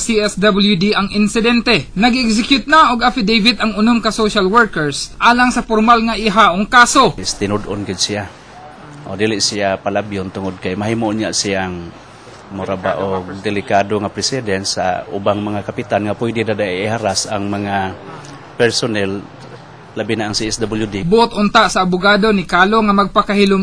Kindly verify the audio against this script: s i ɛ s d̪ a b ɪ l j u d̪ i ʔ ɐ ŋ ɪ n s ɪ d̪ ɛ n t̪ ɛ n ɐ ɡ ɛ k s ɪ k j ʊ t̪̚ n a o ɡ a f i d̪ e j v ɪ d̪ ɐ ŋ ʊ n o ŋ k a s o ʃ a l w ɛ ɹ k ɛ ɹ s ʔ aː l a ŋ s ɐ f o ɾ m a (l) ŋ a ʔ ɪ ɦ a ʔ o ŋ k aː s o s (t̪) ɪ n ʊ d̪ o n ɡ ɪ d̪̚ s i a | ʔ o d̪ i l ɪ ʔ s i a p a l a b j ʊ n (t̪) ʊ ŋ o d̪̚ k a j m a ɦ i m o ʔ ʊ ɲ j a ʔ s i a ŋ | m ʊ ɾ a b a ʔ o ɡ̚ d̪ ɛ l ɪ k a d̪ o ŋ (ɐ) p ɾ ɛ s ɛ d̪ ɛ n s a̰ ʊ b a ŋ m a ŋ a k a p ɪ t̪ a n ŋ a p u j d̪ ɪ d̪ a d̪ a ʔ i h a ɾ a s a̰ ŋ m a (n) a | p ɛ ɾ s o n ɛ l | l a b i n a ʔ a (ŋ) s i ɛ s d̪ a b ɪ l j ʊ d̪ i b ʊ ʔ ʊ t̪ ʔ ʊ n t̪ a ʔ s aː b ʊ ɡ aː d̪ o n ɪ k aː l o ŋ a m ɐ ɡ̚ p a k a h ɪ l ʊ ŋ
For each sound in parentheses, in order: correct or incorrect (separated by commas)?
correct, correct, correct, incorrect, incorrect, correct